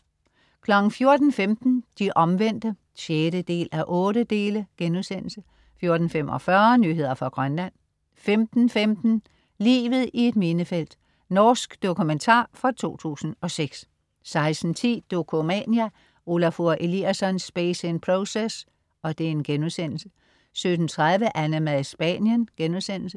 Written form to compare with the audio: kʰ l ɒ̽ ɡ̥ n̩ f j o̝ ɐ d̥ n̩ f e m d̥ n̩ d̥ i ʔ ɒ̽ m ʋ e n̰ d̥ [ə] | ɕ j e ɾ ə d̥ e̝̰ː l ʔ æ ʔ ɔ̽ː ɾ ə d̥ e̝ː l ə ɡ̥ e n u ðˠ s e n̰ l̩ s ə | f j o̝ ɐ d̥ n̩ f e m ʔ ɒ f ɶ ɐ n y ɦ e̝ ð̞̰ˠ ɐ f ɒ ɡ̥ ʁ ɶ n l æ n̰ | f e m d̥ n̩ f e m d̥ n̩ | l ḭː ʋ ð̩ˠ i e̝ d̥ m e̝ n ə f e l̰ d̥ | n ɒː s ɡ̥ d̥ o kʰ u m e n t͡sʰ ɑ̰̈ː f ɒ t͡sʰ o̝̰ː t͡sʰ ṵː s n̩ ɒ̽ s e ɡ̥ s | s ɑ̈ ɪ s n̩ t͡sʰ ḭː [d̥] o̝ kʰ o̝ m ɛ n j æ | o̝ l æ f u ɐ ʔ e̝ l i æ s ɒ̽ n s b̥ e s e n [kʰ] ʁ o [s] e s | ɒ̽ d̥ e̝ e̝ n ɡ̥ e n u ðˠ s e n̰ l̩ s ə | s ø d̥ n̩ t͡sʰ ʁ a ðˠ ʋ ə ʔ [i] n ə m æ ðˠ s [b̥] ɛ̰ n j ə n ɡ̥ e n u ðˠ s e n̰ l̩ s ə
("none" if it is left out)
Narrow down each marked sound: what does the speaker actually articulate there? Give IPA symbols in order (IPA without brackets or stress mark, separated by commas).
ə, d̥, pʰ, s, æ, b̥